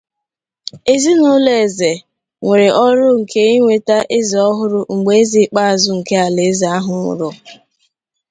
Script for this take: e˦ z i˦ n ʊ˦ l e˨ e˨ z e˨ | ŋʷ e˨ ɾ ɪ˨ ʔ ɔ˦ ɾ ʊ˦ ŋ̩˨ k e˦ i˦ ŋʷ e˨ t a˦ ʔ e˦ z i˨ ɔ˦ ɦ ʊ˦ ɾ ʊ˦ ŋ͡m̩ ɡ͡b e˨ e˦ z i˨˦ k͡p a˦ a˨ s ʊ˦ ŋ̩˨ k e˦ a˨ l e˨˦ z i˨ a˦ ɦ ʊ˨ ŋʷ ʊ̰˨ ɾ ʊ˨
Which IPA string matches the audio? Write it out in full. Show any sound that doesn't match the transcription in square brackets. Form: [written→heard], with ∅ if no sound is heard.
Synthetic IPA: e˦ z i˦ n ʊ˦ l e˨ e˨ z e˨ | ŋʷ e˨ ɾ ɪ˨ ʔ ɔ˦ ɾ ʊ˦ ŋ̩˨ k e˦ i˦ ŋʷ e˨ t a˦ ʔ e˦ z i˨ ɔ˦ ɦ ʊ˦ ɾ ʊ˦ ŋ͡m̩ ɡ͡b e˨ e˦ z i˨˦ k͡p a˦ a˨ [s→z] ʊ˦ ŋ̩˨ k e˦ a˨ l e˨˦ z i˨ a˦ ɦ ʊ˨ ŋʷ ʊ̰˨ ɾ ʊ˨